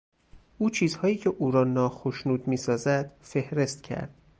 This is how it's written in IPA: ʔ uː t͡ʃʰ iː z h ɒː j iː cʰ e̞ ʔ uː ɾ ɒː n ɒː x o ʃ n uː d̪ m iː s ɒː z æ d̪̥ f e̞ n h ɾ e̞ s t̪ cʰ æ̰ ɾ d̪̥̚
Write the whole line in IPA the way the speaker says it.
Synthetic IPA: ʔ uː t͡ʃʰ iː z h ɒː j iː cʰ e̞ ʔ uː ɾ ɒː n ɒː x o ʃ n uː d̪ m iː s ɒː z æ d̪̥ f e̞ h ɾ e̞ s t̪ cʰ æ̰ ɾ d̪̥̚